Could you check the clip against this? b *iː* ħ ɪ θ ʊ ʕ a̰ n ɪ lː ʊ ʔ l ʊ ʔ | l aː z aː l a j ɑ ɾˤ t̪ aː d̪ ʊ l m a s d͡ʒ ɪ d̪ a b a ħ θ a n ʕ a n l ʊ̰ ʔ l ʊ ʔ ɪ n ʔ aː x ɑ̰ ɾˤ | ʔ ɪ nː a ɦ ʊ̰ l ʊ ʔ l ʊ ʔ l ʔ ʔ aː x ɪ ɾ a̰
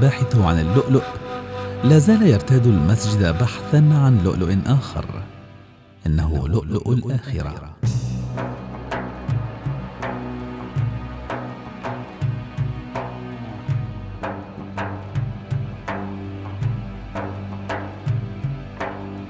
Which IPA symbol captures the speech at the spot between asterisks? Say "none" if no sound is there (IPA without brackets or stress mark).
aː